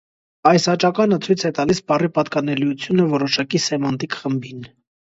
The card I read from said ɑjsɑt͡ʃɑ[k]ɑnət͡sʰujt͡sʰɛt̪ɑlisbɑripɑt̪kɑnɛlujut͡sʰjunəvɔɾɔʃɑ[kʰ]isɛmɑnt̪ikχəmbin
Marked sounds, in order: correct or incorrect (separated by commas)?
correct, incorrect